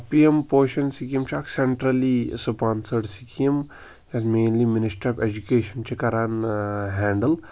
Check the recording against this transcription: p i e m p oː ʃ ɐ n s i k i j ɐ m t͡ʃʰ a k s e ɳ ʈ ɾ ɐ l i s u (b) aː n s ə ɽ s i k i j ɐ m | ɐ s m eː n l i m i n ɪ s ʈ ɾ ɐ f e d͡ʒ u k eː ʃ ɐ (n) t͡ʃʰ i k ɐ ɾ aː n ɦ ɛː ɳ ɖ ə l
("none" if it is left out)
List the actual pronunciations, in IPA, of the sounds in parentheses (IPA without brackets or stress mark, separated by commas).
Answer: p, n